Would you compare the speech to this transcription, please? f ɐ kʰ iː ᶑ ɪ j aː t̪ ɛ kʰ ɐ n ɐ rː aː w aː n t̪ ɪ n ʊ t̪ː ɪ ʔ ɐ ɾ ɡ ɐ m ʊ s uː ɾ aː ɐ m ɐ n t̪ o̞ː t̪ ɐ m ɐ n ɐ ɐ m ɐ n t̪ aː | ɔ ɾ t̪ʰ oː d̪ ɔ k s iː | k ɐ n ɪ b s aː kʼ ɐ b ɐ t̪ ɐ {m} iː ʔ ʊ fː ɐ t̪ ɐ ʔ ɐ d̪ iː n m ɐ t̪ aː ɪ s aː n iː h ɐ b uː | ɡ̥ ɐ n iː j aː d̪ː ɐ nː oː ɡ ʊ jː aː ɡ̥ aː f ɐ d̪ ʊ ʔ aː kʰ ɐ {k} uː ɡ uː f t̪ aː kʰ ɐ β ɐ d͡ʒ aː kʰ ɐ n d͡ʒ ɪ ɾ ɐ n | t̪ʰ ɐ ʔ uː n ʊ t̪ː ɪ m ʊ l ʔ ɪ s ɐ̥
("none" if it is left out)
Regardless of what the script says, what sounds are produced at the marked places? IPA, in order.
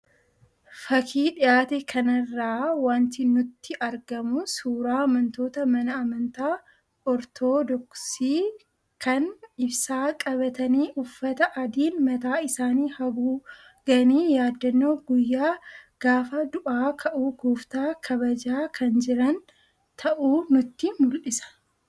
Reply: n, ʔ

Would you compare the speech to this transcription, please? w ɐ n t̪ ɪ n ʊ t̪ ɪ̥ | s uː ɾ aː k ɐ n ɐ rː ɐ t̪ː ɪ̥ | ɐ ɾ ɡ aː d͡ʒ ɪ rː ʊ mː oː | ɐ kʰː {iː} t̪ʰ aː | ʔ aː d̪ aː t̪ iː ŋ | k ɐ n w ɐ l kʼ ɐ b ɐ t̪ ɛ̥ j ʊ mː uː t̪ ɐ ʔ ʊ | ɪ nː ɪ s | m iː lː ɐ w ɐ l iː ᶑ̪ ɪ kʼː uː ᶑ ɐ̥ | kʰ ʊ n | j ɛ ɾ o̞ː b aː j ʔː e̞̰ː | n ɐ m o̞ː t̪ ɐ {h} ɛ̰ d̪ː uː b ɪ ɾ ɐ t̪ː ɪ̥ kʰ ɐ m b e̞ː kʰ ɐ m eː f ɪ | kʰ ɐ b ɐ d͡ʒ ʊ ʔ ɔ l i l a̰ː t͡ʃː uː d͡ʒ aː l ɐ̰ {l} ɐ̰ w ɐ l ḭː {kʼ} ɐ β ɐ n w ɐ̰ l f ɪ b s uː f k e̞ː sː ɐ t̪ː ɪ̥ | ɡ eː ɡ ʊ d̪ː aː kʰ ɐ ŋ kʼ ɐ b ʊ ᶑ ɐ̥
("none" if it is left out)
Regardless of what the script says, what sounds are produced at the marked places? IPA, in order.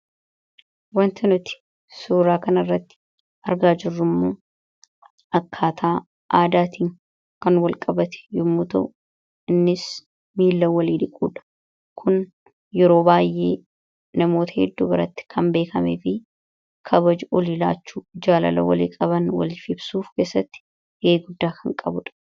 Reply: aː, h, l, kʼ

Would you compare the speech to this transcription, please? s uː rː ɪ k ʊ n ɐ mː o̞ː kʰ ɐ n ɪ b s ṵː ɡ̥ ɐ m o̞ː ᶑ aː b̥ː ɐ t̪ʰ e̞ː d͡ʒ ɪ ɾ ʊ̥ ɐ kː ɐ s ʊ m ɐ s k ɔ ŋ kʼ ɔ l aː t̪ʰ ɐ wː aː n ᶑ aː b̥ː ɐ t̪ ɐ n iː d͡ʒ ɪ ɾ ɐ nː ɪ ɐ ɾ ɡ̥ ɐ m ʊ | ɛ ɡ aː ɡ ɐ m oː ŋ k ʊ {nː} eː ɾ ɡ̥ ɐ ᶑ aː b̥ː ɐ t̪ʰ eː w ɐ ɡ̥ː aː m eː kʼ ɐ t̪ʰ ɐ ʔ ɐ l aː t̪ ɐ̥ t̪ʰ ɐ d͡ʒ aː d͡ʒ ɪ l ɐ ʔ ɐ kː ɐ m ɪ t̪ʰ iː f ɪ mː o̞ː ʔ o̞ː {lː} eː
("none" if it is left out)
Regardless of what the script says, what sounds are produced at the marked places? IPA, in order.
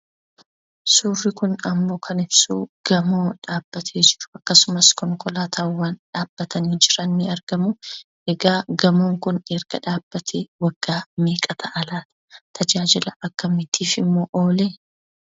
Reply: n, l

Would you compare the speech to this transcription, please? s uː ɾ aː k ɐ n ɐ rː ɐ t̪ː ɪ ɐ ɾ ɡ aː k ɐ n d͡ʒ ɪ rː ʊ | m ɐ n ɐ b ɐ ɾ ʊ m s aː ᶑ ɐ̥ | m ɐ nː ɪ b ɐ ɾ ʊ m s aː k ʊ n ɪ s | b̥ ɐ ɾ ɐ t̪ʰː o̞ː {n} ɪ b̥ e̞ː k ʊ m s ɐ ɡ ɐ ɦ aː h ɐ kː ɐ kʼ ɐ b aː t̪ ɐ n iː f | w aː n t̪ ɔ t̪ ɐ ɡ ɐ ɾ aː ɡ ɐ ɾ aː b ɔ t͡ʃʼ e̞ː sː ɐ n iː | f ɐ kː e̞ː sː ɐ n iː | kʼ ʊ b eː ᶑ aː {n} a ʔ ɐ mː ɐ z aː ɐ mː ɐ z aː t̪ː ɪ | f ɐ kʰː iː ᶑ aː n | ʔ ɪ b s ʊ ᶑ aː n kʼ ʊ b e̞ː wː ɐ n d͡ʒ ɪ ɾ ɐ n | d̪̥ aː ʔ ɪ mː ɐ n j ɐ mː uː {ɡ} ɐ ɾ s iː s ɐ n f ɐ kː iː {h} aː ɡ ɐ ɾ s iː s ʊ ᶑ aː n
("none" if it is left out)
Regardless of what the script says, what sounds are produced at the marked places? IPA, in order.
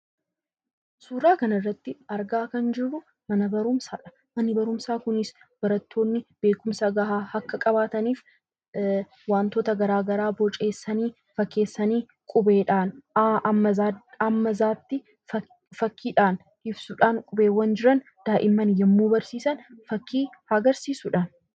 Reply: nː, n, b, h

